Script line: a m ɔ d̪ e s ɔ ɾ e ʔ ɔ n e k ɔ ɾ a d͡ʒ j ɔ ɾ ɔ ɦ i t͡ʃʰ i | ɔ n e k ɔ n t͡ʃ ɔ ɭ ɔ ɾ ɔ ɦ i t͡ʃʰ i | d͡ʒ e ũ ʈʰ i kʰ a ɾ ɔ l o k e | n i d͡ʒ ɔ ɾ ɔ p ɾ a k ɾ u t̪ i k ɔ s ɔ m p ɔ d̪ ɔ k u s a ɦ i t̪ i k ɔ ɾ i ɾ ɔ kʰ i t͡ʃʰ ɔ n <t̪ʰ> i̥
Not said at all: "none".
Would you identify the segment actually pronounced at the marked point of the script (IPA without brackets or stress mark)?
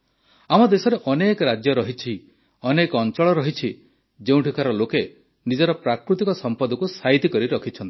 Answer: t̪